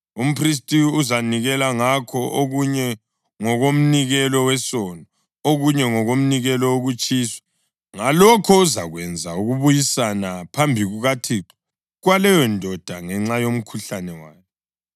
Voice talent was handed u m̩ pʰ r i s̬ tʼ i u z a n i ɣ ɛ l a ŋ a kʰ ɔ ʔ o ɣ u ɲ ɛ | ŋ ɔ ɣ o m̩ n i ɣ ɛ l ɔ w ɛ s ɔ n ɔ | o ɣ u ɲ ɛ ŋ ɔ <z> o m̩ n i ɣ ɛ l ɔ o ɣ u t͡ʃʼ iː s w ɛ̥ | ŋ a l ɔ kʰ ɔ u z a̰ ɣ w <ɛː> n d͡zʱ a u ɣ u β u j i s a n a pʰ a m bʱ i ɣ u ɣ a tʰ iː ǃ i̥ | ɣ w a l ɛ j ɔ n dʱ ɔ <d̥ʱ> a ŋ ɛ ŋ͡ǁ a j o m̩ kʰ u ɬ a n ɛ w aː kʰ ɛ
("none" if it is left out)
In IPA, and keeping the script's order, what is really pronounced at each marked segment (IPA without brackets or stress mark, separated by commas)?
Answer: ɣ, ɛ, d̥ʱ